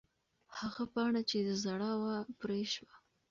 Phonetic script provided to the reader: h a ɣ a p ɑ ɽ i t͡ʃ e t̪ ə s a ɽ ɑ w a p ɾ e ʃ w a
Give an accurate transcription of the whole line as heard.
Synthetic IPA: h a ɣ a p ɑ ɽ a t͡ʃ e d̪ ə z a ɽ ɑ w a p ɾ e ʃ w a